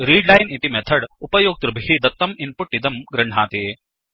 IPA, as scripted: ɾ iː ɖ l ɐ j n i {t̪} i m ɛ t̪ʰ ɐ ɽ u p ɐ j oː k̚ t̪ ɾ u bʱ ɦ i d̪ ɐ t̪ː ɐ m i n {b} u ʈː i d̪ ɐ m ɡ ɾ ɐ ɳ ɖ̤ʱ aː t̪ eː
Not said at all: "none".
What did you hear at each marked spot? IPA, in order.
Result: t̪, p

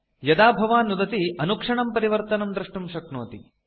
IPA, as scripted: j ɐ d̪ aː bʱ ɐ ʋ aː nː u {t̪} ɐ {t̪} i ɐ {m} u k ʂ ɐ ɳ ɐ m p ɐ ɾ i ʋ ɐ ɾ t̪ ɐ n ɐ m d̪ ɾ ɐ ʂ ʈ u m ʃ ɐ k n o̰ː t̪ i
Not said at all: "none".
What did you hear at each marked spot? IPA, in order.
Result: d̪, t̪, n

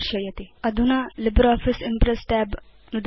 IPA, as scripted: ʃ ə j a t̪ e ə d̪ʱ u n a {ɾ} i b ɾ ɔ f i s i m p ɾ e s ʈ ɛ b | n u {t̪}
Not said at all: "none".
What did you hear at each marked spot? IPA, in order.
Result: l, d̪

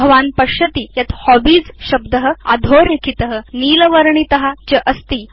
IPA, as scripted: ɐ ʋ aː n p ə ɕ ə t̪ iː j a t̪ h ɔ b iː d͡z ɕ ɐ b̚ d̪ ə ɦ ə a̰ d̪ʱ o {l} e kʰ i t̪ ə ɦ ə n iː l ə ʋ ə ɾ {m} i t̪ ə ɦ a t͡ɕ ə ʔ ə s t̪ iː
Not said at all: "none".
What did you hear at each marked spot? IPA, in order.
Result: ɾ, ɳ

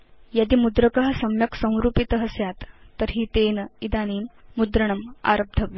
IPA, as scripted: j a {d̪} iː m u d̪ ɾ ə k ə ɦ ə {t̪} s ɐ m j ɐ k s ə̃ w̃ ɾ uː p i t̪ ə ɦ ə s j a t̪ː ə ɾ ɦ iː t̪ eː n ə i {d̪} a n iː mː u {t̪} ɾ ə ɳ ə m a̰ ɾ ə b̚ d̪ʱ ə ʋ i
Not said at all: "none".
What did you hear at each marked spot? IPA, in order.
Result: d̪, none, d̪, d̪

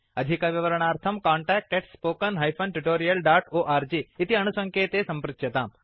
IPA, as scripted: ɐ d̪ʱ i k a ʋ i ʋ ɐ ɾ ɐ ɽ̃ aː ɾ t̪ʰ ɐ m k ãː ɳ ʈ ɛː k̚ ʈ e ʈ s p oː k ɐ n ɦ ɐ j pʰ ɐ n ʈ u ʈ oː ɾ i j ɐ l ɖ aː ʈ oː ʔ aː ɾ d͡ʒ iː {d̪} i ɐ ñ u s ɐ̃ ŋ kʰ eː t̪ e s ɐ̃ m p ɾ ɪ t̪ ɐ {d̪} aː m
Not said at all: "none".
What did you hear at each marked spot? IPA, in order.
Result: t̪, t̪

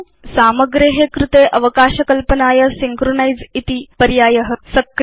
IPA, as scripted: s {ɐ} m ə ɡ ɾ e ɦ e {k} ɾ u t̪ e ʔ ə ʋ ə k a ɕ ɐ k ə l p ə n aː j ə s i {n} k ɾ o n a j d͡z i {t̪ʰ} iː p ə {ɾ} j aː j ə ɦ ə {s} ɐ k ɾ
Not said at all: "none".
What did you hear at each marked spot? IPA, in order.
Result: a, k, ŋ, t̪, ɾ, s

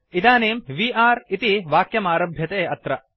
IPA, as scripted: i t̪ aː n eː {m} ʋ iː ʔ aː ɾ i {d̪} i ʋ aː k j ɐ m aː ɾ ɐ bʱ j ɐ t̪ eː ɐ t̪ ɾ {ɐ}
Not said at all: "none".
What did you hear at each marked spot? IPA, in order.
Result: m, t̪, ɐ

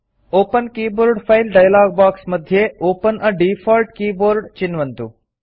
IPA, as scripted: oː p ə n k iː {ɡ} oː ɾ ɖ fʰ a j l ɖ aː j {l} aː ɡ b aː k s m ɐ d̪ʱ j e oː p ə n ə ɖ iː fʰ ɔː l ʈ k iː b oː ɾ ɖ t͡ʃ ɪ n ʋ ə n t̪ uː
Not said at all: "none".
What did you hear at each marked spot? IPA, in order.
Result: b, l

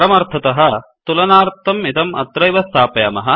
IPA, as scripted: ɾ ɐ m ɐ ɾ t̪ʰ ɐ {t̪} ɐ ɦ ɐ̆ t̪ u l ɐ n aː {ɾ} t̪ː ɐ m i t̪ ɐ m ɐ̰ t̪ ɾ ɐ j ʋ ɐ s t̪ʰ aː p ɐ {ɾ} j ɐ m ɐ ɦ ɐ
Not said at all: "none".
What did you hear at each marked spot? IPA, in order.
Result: t̪, ɾ, none

